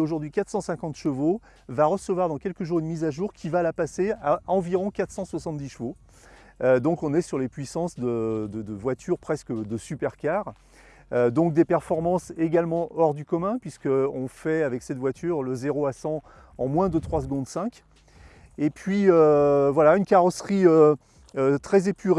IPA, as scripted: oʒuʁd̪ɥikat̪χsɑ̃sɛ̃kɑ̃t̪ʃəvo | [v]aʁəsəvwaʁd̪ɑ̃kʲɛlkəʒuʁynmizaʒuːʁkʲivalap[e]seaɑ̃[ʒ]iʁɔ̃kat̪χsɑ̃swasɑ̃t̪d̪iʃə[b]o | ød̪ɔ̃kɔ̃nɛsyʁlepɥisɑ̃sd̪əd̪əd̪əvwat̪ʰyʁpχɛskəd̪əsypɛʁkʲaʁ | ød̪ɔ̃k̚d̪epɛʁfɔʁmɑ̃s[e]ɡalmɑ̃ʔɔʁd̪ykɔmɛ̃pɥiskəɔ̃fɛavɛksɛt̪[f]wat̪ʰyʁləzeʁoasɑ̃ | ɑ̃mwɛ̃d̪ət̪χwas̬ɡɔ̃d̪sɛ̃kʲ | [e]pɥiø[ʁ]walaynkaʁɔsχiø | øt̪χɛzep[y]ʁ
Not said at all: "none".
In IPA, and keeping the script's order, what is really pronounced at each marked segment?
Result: v, a, v, v, e, v, e, v, y

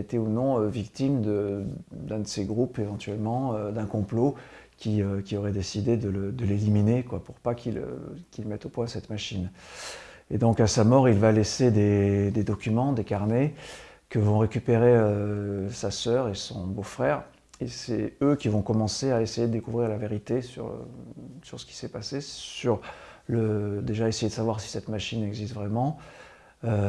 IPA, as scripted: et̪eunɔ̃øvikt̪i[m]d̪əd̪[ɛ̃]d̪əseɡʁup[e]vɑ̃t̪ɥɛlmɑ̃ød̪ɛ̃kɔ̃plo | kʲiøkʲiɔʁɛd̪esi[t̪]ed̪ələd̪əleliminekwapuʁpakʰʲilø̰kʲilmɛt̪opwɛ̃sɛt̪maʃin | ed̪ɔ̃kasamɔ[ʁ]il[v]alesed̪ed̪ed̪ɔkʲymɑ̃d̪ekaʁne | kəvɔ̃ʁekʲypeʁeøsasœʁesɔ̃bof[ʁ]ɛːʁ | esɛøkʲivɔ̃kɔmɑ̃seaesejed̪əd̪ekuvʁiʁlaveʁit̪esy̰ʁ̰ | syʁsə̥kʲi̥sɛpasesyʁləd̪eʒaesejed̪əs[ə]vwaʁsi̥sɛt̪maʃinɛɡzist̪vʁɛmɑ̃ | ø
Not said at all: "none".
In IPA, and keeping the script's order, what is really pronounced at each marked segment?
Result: m, ɛ̃, e, d̪, ʁ, v, χ, a

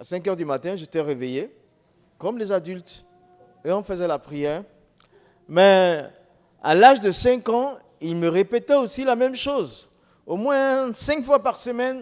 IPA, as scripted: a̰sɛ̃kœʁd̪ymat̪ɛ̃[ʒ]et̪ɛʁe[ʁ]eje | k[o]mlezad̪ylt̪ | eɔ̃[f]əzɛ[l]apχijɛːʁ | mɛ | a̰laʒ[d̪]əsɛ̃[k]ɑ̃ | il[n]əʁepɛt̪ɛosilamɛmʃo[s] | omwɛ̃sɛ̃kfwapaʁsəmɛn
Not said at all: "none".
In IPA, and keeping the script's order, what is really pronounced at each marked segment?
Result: ʒ, v, ɔ, f, l, d̪, k, m, z

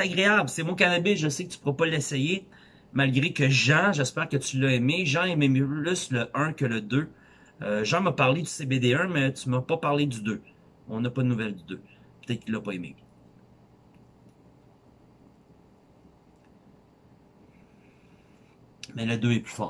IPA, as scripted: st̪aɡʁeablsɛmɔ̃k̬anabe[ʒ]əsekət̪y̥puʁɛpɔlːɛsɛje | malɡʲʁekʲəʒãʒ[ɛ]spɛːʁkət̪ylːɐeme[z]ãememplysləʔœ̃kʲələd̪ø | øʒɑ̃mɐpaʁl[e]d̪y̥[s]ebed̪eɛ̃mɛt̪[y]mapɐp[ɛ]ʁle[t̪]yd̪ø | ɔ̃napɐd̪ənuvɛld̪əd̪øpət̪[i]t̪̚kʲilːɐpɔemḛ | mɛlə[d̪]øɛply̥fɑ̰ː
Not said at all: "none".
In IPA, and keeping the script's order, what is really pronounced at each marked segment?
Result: ʒ, ɛ, ʒ, e, s, y, a, d̪, ɛ, d̪

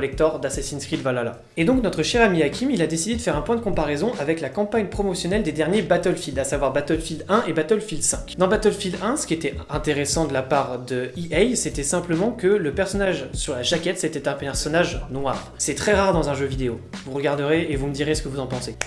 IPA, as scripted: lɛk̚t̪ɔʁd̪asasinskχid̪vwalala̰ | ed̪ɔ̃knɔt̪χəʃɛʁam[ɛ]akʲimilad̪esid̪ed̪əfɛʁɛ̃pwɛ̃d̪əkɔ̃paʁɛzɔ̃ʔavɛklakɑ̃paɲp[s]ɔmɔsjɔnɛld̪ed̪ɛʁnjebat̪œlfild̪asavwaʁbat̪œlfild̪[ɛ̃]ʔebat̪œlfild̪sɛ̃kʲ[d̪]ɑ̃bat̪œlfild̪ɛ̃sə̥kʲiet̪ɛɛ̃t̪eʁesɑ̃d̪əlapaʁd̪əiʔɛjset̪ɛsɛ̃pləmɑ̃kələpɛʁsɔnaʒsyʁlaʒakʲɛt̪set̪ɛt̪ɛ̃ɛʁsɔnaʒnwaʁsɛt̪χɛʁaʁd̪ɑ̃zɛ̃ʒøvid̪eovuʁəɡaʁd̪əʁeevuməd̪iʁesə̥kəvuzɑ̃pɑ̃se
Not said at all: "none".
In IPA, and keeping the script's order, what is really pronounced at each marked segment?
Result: i, χ, ɛ̃, d̪

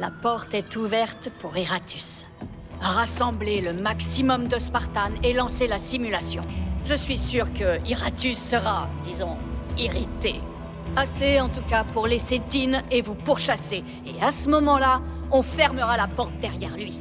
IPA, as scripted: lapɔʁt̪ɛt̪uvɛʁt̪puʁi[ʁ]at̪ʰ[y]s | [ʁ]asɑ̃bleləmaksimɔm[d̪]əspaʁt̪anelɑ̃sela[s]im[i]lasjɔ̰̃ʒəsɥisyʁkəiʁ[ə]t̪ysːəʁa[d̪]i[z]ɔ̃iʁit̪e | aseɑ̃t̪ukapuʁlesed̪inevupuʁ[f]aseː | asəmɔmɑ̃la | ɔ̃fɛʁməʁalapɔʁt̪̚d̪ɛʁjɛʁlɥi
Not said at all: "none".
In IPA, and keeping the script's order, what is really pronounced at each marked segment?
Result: ʁ, y, ʁ, d̪, s, y, a, d̪, z, ʃ

